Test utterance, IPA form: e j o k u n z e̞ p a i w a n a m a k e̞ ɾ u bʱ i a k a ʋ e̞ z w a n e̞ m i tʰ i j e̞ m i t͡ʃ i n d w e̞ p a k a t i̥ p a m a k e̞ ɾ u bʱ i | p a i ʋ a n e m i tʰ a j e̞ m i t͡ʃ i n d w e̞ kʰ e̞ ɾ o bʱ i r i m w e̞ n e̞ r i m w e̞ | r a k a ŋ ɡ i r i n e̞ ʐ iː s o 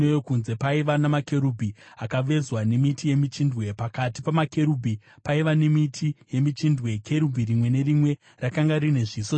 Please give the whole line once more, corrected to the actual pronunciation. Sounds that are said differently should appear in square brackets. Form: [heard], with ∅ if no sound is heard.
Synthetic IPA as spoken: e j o k u n z e̞ p a i [ʋ] a n a m a k e̞ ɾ u bʱ i a k a ʋ e̞ z w a n e̞ m i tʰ i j e̞ m i t͡ʃ i n d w e̞ p a k a t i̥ p a m a k e̞ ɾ u bʱ i | p a i ʋ a n e m i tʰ [i] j e̞ m i t͡ʃ i n d w e̞ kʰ e̞ ɾ [u] bʱ i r i m w e̞ n e̞ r i m w e̞ | r a k a ŋ ɡ [a] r i n e̞ ʐ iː s o